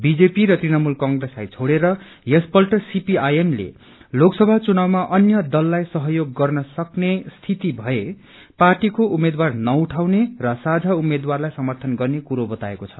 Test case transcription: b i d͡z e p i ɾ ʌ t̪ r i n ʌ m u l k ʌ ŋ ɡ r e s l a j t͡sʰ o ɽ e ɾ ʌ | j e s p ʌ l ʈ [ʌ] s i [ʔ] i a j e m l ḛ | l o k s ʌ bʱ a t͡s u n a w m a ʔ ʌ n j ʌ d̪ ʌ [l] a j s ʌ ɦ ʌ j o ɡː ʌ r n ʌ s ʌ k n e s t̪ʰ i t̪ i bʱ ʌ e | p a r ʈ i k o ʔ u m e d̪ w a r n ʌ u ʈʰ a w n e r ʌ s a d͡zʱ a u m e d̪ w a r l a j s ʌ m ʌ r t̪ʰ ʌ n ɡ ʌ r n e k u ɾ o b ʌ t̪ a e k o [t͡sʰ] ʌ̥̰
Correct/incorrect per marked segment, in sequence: correct, incorrect: p, incorrect: lː, correct

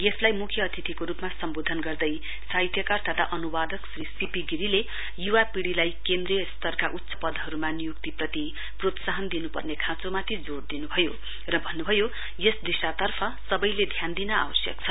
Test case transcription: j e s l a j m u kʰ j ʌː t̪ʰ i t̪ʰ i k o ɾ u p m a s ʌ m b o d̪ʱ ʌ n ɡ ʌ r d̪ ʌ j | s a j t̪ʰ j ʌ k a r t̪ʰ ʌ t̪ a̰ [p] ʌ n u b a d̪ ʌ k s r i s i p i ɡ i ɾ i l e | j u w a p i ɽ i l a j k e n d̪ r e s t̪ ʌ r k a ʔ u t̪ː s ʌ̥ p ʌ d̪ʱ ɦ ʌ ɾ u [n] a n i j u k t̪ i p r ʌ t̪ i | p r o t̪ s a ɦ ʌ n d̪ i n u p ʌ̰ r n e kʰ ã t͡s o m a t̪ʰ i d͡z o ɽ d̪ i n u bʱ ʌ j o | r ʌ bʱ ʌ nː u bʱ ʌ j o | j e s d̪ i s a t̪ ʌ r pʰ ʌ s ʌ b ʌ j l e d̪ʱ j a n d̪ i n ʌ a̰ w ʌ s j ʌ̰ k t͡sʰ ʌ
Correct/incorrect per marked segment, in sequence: incorrect: ʔ, incorrect: m

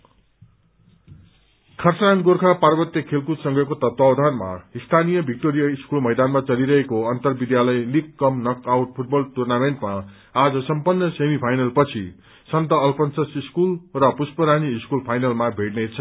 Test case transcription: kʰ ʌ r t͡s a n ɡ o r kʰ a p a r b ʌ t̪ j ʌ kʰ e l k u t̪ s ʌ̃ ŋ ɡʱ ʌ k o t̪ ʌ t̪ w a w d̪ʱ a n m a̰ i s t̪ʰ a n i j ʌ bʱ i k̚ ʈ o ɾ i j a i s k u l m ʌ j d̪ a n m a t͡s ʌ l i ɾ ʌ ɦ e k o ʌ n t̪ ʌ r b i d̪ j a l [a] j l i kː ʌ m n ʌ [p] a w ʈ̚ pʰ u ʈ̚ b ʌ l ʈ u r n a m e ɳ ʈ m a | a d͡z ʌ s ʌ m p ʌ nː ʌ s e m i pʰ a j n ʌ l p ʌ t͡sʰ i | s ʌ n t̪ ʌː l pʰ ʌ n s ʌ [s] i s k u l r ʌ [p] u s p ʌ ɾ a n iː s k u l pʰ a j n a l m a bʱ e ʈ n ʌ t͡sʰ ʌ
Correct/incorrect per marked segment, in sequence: incorrect: ʌ, incorrect: k, correct, correct

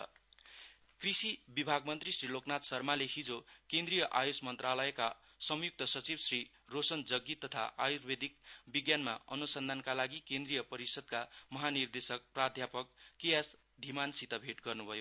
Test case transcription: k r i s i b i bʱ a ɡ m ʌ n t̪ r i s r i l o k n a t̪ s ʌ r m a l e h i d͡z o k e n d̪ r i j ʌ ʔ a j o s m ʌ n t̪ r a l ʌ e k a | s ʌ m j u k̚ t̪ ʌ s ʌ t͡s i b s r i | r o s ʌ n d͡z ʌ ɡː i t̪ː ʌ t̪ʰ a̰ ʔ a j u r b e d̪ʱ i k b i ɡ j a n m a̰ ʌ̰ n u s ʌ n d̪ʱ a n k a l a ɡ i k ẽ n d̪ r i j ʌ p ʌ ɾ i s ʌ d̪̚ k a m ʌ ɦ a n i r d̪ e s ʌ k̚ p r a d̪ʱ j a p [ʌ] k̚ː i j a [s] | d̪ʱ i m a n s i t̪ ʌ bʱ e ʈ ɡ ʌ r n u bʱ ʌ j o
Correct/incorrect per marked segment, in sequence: correct, correct

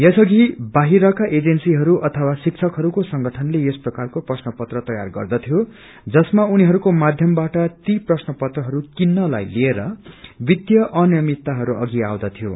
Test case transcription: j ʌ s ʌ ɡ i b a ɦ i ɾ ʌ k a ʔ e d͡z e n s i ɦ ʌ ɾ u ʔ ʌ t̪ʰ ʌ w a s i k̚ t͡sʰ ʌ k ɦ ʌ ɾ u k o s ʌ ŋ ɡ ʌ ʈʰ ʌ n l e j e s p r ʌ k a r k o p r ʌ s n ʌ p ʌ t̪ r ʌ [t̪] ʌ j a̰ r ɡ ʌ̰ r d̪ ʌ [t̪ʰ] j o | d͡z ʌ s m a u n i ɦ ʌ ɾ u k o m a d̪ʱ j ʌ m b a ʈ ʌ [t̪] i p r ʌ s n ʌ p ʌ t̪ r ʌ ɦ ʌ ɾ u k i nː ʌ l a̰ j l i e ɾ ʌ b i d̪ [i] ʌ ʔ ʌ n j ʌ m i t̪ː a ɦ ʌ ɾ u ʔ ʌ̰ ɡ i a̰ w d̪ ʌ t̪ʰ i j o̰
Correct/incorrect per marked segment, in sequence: correct, correct, correct, incorrect: j

